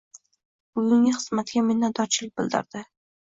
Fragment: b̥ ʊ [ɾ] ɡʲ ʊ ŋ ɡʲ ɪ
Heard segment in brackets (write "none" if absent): none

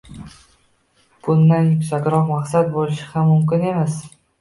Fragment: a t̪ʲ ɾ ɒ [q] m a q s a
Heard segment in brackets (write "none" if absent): q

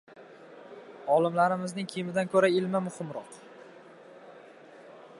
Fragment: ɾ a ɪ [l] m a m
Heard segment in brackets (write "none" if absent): l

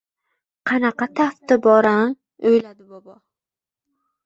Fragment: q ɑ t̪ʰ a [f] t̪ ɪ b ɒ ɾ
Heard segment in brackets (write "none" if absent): f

